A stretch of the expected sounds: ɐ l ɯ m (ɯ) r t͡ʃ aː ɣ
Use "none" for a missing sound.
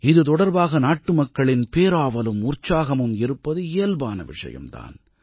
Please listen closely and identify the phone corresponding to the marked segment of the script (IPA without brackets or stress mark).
ʊ